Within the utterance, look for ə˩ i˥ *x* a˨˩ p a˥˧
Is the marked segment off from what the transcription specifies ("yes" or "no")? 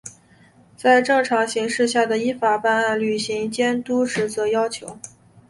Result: yes